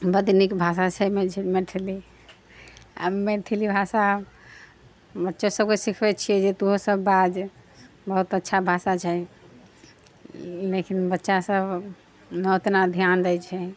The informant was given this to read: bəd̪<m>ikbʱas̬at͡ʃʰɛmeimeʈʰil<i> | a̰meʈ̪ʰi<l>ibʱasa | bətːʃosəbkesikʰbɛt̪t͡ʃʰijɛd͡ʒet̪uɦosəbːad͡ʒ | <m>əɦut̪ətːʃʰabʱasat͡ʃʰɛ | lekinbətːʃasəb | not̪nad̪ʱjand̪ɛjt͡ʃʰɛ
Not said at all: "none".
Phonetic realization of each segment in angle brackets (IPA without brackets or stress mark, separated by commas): n, i, l, b